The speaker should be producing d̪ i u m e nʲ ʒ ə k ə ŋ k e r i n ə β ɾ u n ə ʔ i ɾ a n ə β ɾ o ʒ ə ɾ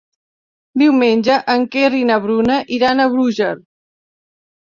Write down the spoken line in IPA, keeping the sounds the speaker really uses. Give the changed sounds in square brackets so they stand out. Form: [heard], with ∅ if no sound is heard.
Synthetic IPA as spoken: d̪ i [w] m e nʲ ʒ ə [ʔ] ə ŋ k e r i n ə β ɾ u n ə ʔ i ɾ a n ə β ɾ [u] ʒ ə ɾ